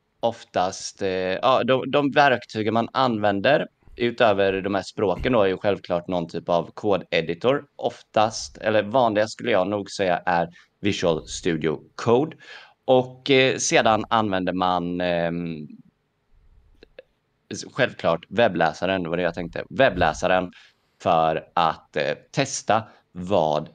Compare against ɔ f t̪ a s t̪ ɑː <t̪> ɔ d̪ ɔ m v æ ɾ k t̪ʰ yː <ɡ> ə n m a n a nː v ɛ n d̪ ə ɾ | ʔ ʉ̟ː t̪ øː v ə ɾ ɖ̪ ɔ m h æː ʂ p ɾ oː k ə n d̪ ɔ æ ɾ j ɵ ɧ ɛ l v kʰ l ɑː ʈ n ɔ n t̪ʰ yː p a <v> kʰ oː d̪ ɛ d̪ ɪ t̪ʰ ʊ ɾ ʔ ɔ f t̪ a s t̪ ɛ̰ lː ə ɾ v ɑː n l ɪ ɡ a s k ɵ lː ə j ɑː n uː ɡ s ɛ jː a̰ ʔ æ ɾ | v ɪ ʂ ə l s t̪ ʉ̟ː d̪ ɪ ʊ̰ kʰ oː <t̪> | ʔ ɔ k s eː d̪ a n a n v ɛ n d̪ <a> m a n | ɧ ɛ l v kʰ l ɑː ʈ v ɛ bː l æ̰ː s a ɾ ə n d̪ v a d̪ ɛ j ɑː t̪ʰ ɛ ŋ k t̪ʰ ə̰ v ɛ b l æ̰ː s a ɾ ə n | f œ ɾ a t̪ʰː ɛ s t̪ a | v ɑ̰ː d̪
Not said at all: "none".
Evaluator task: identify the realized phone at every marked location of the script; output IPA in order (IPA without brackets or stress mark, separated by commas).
d̪, ɡ, v, d̪, ə